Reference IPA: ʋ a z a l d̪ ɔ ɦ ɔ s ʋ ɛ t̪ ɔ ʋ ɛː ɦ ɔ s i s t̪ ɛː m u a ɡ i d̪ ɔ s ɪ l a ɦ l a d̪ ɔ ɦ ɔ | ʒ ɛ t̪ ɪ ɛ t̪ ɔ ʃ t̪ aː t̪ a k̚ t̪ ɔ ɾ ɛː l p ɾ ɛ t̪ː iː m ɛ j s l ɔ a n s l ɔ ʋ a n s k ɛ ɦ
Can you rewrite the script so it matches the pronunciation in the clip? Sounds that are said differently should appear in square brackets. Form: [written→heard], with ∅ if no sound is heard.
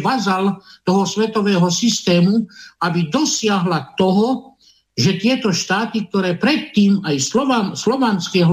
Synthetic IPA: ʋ a z a l [d̪→t̪] ɔ ɦ ɔ s ʋ ɛ t̪ ɔ ʋ ɛː ɦ ɔ s i s t̪ ɛː m u a [ɡ→b] i d̪ ɔ s ɪ [l→∅] a ɦ l a [d̪→t̪] ɔ ɦ ɔ | ʒ ɛ t̪ ɪ ɛ t̪ ɔ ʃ t̪ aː t̪ [a→i] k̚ t̪ ɔ ɾ ɛː [l→∅] p ɾ ɛ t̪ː iː m [ɛ→a] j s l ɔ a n s l ɔ ʋ a n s k ɛ ɦ